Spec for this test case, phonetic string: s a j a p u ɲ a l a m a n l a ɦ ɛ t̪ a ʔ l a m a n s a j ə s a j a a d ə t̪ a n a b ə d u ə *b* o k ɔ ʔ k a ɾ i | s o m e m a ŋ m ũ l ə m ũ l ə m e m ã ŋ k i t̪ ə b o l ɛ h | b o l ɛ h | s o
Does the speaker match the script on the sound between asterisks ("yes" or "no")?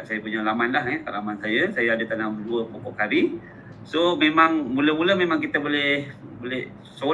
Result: no